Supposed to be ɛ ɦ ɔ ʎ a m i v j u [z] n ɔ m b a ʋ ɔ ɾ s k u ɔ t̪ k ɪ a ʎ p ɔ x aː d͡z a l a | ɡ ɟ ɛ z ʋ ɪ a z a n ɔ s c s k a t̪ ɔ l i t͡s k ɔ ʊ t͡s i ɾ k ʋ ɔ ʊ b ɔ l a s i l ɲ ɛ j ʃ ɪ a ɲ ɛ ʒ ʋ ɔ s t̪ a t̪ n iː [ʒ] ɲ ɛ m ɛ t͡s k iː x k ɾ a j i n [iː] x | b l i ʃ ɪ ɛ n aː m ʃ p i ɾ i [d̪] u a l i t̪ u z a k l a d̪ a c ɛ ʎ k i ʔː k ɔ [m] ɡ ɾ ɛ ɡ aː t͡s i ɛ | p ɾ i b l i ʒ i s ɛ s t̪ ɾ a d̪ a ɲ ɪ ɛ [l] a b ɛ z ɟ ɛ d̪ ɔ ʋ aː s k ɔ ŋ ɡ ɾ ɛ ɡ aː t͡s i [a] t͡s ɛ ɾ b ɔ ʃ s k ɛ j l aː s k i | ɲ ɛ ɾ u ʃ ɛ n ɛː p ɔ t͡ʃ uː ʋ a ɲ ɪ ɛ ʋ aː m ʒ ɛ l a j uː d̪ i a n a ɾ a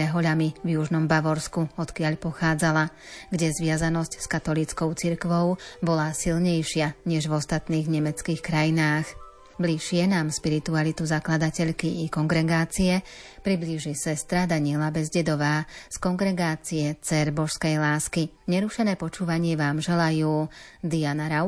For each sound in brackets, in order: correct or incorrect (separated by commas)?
incorrect, incorrect, incorrect, incorrect, incorrect, correct, incorrect